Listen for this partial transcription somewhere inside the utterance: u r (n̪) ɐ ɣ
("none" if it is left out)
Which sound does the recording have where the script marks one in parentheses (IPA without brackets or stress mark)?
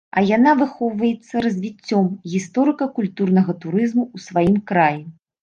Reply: n̪